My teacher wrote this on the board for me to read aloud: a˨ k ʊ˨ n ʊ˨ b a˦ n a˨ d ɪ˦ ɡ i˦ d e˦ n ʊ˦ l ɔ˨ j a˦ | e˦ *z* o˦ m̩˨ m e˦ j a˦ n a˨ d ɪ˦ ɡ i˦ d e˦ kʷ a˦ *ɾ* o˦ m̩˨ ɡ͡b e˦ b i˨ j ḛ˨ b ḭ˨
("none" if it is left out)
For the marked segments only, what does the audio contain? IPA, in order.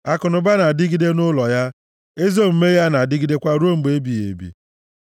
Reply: z, ɾ

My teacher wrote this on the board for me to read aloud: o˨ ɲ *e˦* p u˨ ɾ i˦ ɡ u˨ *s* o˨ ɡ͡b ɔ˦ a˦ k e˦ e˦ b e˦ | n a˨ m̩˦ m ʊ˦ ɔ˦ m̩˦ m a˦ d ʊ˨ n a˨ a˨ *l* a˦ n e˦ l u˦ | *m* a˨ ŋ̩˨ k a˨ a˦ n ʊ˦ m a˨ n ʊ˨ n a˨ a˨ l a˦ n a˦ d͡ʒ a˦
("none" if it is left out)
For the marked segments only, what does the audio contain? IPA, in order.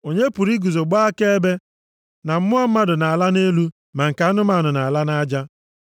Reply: e˦, z, l, m

